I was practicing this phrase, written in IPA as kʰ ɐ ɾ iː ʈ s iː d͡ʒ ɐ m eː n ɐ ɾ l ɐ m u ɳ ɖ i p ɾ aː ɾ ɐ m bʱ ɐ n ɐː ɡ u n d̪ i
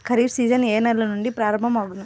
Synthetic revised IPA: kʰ ɐ ɾ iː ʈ s iː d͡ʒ ɐ n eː n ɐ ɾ l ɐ n u ɳ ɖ i p ɾ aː ɾ ɐ m bʱ ɐ m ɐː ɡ u n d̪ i

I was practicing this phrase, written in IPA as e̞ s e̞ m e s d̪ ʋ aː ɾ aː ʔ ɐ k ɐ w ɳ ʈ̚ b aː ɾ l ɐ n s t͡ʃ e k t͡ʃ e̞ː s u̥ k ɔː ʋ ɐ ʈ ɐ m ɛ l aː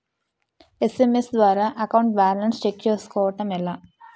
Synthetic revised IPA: e̞ s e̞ m e s d̪ ʋ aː ɾ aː ʔ ɐ k ɐ w ɳ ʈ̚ b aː ɾ l ɐ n s t͡ʃ e k t͡ʃ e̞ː s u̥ k ɔː ʋ ɐ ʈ ɐ m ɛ l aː

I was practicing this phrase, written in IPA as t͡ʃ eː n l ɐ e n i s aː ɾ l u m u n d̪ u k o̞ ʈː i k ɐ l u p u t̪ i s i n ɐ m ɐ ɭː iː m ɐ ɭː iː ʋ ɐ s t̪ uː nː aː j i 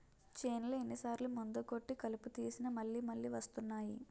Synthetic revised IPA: t͡ʃ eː n l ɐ e nː i s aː ɾ l u m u n d̪ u k o̞ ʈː i k ɐ l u p u t̪ iː s i n ɐ m ɐ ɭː iː m ɐ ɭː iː ʋ ɐ s t̪ u nː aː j i

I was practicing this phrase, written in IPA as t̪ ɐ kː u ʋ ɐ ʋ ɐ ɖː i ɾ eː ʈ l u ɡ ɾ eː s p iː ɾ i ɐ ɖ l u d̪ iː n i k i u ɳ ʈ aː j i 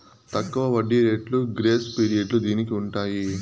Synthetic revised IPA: t̪ ɐ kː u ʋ ɐ ʋ ɐ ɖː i ɾ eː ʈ l u ɡ ɾ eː s p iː ɾ i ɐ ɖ l u d̪ iː n i k i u ɳ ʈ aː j i

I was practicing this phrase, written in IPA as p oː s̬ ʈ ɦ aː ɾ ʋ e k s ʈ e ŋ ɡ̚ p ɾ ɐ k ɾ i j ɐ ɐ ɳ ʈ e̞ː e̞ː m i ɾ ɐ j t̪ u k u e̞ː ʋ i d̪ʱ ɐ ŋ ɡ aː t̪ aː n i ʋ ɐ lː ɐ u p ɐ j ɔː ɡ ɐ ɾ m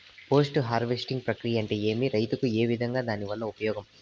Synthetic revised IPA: p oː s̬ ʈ ɦ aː ɾ ʋ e s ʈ i ŋ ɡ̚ p ɾ ɐ k ɾ i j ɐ ɐ ɳ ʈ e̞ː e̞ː m i ɾ ɐ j t̪ u k u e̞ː ʋ i d̪ʱ ɐ ŋ ɡ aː d̪ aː n i ʋ ɐ lː ɐ u p ɐ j ɔː ɡ ɐ m

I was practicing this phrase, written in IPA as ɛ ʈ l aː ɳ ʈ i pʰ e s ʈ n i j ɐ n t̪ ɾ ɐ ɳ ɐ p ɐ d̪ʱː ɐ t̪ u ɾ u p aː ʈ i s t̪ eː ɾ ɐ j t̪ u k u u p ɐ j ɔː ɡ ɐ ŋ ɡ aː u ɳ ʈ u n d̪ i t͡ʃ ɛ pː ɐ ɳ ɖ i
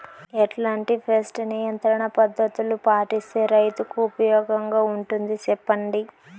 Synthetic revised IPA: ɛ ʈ l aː ɳ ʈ i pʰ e s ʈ n i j ɐ n t̪ ɾ ɐ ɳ ɐ p ɐ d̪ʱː ɐ t̪ u l u p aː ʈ i s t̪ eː ɾ ɐ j t̪ u k u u p ɐ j ɔː ɡ ɐ ŋ ɡ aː u ɳ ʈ u n d̪ i t͡ʃ ɛ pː ɐ ɳ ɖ i

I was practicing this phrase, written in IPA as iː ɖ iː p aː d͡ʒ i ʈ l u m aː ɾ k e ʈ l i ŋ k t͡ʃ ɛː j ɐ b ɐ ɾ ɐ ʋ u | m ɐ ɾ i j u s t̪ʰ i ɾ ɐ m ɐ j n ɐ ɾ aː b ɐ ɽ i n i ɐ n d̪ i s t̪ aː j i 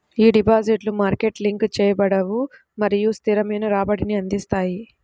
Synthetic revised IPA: iː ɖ i p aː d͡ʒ i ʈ l u m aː ɾ k e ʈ l i ŋ k t͡ʃ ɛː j ɐ b ɐ ɽ ɐ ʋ u | m ɐ ɾ i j u s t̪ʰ i ɾ ɐ m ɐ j n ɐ ɾ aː b ɐ ɽ i n i ɐ n d̪ i s t̪ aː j i

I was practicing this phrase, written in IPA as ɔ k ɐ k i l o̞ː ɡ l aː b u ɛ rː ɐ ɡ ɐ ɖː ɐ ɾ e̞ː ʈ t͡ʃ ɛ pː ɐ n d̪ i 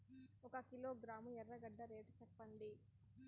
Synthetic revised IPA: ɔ k ɐ k i l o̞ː ɡ ɾ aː m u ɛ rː ɐ ɡ ɐ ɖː ɐ ɾ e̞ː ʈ t͡ʃ ɛ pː ɐ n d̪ i

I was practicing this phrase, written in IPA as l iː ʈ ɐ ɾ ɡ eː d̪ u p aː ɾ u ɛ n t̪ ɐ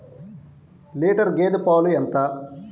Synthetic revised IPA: l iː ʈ ɐ ɾ ɡ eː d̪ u p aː l u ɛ n t̪ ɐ

